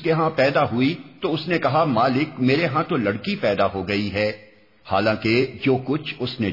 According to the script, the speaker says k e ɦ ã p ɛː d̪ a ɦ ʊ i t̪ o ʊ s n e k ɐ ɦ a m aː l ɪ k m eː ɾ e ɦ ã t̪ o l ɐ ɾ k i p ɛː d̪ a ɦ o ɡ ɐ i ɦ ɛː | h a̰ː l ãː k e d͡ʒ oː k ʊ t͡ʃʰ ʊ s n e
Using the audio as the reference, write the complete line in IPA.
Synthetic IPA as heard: k e ɦ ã p ɛː d̪ a ɦ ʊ i t̪ o ʊ s n e k ɐ ɦ a m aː l ɪ k m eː ɾ e ɦ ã t̪ o l ɐ ɽ k i p ɛː d̪ a ɦ o ɡ ɐ i ɦ ɛː | h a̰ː l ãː k e d͡ʒ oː k ʊ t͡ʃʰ ʊ s n e